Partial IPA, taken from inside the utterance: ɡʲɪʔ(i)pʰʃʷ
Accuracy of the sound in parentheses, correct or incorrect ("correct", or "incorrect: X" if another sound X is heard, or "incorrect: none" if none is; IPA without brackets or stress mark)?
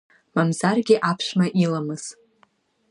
incorrect: a